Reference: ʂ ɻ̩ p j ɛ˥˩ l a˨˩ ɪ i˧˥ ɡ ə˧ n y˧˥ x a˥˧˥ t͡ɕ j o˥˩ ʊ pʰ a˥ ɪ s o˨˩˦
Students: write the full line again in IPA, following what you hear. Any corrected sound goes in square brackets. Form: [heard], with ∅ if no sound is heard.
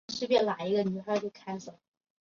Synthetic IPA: ʂ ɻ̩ p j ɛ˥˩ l a˨˩ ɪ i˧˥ ɡ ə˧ n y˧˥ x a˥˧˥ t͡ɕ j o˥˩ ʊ [kʰ] a˥ ɪ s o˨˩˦